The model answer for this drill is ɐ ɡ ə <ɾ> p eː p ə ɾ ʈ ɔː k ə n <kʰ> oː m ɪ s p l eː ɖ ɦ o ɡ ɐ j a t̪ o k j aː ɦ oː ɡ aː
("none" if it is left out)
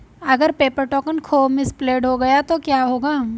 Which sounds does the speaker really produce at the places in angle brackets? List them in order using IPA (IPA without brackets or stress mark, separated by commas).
ɾ, kʰ